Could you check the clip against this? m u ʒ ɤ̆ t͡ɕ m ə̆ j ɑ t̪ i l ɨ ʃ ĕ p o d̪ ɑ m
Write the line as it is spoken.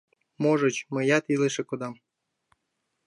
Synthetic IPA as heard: m o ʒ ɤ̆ t͡ɕ m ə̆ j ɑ t̪ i l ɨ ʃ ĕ k o d̪ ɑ m